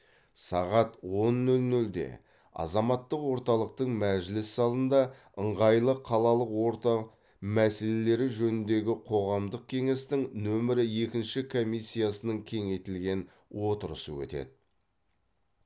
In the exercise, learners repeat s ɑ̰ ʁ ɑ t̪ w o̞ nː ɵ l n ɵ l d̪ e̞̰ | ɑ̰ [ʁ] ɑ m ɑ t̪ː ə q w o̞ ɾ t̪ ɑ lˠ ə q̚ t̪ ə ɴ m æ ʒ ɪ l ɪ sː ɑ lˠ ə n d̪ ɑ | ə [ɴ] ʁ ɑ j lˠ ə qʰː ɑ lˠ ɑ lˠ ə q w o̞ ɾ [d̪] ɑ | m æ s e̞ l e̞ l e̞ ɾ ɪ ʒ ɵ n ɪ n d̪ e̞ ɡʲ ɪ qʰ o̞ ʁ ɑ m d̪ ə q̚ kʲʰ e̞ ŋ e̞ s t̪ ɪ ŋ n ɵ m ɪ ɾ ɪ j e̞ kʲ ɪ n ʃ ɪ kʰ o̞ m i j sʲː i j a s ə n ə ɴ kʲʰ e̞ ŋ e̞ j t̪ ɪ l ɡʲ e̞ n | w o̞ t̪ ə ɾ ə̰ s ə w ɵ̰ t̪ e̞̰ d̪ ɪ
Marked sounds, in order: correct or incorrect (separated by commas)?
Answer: incorrect, correct, incorrect